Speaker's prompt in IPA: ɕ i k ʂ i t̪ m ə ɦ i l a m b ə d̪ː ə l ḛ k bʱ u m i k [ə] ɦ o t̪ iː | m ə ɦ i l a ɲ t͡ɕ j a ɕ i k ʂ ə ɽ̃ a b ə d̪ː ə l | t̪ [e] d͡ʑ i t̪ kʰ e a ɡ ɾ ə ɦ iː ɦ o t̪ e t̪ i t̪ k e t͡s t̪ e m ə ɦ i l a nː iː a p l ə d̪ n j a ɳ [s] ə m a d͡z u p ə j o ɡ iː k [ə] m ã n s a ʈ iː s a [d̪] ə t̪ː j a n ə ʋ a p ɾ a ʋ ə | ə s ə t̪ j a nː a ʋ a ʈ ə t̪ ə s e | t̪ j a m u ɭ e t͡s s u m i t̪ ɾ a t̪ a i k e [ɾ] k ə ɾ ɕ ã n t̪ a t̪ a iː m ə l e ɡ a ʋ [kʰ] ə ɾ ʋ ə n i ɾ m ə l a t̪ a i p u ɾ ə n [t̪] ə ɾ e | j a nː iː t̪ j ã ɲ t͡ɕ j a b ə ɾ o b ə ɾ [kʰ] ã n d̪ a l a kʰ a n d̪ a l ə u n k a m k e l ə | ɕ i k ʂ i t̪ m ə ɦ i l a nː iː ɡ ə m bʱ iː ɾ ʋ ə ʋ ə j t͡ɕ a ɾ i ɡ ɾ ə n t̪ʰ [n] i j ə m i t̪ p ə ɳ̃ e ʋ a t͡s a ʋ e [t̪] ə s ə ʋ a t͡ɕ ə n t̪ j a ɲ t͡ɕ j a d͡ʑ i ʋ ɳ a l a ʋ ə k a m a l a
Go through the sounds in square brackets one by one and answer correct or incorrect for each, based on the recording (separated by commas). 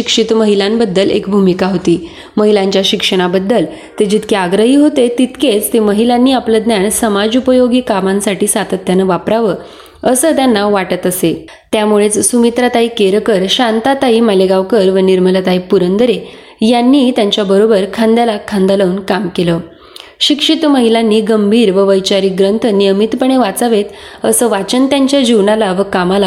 incorrect, correct, correct, incorrect, incorrect, correct, incorrect, incorrect, correct, correct, correct